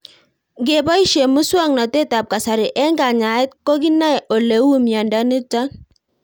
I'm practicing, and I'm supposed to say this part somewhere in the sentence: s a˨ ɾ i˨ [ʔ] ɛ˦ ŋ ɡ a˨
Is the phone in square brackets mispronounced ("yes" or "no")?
no